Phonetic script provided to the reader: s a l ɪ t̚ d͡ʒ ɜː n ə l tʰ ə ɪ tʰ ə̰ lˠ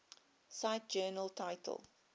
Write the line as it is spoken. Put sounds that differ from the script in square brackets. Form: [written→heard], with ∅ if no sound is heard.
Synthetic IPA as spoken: s a [l→∅] ɪ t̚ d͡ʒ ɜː n ə l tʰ [ə→a] ɪ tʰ ə̰ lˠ

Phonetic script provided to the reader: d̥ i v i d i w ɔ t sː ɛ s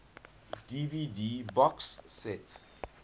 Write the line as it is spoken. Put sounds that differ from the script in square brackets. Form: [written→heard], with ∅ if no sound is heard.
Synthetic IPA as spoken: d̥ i v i d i [w→b] ɔ [t→k] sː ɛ [s→t]

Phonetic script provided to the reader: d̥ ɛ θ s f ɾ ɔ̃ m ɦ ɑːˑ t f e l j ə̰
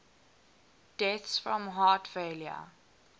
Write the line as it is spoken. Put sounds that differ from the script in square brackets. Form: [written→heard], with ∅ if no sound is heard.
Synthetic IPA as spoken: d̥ ɛ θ s f [ɾ→ɹ] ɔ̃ m ɦ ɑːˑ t f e l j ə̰

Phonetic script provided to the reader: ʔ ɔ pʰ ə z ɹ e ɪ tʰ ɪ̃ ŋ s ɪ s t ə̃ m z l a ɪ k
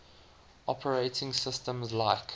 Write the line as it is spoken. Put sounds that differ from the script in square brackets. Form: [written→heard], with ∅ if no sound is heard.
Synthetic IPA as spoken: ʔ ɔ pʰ ə [z→∅] ɹ e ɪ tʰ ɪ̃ ŋ s ɪ s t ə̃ m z l a ɪ k

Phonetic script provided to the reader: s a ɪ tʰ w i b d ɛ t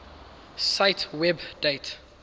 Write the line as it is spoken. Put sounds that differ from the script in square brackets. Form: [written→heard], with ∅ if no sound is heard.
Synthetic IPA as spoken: s a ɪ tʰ w [i→ɛ] b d [ɛ→e] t

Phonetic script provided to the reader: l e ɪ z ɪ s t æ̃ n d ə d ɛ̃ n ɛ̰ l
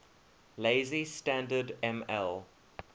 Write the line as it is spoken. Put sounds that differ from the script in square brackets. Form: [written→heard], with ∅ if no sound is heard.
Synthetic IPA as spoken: l e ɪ z [ɪ→i] s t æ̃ n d ə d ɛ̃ [n→m] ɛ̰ l

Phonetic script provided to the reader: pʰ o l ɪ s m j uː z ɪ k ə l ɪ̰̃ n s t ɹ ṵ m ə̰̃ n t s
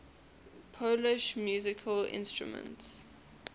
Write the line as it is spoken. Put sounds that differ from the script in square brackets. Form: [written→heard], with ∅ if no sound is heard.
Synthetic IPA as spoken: pʰ o l ɪ [s→ʃ] m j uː z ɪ [k→kʰ] ə l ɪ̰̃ n s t ɹ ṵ m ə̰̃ n t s

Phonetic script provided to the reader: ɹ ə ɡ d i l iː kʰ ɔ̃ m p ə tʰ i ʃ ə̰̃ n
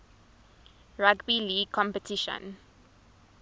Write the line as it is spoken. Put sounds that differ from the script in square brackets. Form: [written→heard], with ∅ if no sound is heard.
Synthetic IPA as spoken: ɹ [ə→a] ɡ [d→b] i l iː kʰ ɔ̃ m p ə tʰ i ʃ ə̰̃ n

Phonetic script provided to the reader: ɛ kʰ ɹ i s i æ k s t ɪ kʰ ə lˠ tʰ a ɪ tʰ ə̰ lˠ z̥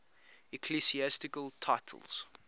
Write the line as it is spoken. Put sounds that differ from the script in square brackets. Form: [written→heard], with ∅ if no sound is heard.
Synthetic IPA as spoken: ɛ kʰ [ɹ→l] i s i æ [k→∅] s t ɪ [kʰ→k] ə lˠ tʰ a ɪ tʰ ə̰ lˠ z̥

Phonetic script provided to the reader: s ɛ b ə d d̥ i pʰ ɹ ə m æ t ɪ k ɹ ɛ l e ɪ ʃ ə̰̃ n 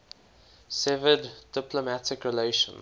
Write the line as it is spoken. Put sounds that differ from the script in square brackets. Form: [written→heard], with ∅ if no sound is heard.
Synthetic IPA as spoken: s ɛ [b→v] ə d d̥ [i→ɪ] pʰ [ɹ→l] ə m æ t ɪ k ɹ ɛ l e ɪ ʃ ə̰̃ n

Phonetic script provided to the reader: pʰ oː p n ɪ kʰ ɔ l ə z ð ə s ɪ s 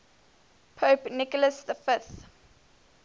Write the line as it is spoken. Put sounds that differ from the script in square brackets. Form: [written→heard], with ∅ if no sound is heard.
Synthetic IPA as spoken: pʰ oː p n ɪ [kʰ→k] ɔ l ə [z→s] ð ə [s→f] ɪ [s→θ]

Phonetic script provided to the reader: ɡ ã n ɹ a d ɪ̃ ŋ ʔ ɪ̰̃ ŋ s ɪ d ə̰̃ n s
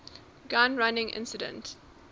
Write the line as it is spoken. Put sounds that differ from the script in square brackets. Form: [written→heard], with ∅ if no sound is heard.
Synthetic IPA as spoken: ɡ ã n ɹ a [d→n] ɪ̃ ŋ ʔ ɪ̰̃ [ŋ→n] s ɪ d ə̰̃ n [s→t]

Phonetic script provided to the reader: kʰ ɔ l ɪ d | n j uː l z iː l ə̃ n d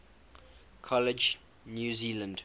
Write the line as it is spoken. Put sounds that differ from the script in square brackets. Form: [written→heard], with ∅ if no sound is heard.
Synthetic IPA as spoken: kʰ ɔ l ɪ [d→d͡ʒ] | n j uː [l→∅] z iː l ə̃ n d

